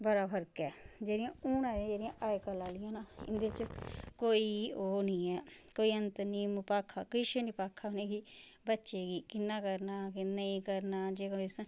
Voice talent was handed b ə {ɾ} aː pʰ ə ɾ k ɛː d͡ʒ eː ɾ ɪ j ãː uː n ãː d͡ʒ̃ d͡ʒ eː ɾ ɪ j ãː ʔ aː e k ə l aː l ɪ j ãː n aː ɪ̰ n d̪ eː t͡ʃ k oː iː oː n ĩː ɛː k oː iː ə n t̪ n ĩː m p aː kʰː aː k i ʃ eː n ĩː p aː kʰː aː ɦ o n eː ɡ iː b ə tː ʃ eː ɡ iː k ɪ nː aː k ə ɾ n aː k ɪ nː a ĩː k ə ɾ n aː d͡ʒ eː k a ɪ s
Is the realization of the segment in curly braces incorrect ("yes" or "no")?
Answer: no